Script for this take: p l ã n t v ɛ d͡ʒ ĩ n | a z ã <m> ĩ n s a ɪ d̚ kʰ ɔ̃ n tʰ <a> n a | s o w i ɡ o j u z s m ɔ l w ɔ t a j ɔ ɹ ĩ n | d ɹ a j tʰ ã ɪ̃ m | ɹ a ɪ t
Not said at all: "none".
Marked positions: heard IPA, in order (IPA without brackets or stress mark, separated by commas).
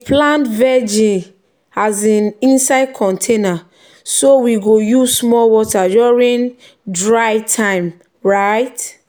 n, e